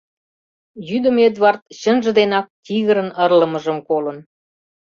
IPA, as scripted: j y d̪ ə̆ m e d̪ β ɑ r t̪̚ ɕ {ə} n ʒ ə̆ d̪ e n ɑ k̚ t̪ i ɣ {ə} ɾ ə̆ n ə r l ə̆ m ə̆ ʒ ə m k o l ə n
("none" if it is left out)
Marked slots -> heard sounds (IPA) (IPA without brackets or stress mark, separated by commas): ə, ə